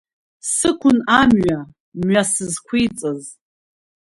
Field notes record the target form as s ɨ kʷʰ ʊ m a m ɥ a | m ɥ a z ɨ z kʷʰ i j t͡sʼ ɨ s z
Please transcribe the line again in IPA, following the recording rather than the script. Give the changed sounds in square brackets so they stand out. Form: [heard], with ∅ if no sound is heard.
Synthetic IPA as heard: s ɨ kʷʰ ʊ [n] a m ɥ a | m ɥ a [s] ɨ z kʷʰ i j t͡sʼ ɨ [∅] z